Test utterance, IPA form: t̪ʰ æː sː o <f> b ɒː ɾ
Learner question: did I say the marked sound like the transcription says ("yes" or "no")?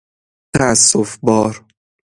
yes